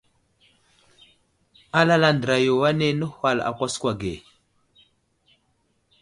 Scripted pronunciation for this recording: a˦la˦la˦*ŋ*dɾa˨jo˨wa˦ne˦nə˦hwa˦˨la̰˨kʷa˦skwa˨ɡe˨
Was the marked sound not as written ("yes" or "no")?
yes